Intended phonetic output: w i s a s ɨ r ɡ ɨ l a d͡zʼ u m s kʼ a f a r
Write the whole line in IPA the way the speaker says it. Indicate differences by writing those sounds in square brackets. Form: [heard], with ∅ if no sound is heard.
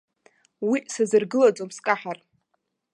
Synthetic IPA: w i s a [z] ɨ r ɡ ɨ l a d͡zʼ [o] m s kʼ a [ħ] a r